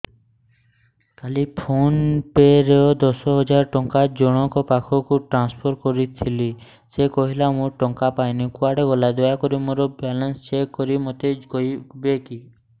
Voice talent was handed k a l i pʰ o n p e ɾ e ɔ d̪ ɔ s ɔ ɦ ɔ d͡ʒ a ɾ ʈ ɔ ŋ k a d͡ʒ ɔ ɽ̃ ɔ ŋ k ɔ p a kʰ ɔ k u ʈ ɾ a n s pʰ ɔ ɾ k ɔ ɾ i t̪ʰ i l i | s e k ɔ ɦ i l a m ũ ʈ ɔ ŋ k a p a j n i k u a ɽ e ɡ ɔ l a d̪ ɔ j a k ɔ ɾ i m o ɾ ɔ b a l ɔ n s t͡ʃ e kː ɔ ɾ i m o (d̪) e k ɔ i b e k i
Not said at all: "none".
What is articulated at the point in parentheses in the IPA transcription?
t̪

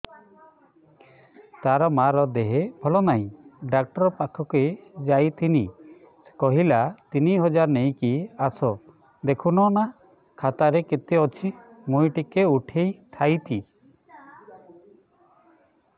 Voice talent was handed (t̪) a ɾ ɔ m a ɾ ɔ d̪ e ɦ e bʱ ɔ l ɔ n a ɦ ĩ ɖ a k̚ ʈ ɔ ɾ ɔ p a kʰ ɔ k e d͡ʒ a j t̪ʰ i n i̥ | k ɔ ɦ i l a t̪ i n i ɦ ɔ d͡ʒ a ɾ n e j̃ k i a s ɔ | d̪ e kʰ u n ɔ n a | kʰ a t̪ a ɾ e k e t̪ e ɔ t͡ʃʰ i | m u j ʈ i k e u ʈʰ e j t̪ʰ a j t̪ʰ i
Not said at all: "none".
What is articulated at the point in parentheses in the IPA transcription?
t̪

